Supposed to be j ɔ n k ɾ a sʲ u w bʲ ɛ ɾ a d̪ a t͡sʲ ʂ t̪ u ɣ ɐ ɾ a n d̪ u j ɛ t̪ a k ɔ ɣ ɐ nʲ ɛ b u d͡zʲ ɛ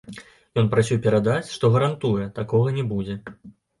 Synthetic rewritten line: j ɔ n p ɾ a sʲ u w pʲ ɛ ɾ a d̪ a t͡sʲ ʂ t̪ ɔ ɣ ɐ ɾ a n t̪ u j ɛ t̪ a k ɔ ɣ ɐ nʲ ɛ b u d͡zʲ ɛ